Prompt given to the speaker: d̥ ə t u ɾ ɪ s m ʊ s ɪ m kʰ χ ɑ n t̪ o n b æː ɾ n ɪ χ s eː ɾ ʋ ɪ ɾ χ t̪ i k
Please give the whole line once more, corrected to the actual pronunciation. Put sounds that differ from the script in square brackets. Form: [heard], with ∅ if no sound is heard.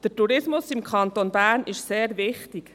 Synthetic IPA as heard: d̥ ə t u ɾ ɪ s m ʊ s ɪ m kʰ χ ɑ n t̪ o n b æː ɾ n ɪ [ʃ] s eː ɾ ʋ ɪ [∅] χ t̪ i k